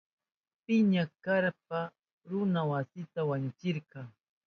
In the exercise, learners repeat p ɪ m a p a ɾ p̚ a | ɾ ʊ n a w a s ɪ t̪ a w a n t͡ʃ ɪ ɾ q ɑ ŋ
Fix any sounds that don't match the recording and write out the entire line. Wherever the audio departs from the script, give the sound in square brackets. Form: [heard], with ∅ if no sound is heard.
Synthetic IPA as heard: p ɪ [ɲ] a [k] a ɾ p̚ a | ɾ ʊ n a w a s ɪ t̪ a w a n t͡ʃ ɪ ɾ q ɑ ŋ